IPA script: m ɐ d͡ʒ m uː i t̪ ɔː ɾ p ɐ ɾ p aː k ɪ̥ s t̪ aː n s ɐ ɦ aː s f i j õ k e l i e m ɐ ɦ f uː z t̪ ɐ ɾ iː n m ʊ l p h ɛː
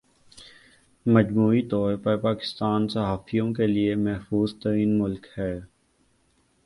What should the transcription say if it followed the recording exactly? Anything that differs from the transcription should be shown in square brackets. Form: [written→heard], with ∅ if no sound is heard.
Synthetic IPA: m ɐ d͡ʒ m uː i t̪ ɔː ɾ p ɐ ɾ p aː k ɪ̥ s t̪ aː n s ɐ ɦ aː [s→∅] f i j õ k e l i e m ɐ ɦ f uː z t̪ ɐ ɾ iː n m ʊ l [p→k] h ɛː